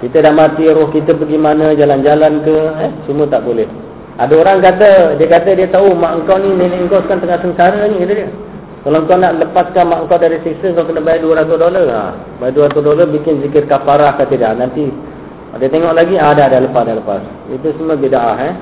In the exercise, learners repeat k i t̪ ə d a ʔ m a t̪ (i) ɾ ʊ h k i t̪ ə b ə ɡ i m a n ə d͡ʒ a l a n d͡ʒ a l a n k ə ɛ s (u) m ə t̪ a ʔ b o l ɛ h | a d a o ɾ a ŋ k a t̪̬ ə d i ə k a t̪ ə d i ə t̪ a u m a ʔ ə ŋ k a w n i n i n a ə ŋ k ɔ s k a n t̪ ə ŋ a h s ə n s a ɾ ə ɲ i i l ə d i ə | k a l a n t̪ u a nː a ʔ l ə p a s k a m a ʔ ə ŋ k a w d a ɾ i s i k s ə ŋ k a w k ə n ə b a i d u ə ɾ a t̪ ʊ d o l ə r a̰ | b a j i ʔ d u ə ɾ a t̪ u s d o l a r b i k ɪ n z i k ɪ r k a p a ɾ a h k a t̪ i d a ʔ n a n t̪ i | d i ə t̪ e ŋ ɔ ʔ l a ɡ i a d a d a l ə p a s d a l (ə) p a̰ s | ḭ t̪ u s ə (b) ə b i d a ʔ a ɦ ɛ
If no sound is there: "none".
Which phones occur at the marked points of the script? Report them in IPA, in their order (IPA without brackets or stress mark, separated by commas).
i, u, ə, m